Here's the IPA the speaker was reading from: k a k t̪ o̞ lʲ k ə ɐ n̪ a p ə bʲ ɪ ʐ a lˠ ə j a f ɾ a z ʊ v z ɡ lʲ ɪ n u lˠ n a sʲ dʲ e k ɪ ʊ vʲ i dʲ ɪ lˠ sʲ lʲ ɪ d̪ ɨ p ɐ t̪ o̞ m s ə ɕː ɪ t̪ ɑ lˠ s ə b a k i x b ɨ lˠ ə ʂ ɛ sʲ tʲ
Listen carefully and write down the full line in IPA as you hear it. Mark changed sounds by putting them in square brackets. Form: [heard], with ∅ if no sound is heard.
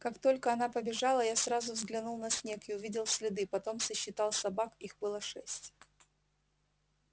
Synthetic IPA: k a k t̪ o̞ lʲ k ə ɐ n̪ a p ə bʲ ɪ ʐ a lˠ ə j a [s] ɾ a z ʊ v z ɡ lʲ ɪ n u lˠ n [ɐ] sʲ [nʲ] e k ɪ ʊ vʲ i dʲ ɪ lˠ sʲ lʲ ɪ d̪ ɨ p ɐ t̪ o̞ m s ə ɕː ɪ t̪ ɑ lˠ s [ɐ] b a k i x b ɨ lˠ ə ʂ ɛ sʲ tʲ